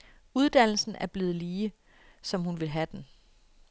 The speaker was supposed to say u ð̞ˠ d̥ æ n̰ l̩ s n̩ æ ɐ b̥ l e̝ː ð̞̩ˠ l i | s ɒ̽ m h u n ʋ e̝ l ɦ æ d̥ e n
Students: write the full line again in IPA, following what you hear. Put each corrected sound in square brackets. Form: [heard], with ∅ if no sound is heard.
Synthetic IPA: u ð̞ˠ d̥ æ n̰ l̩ s n̩ æ ɐ b̥ l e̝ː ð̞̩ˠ l [iː] | s ɒ̽ m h u n ʋ e̝ l ɦ æ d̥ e n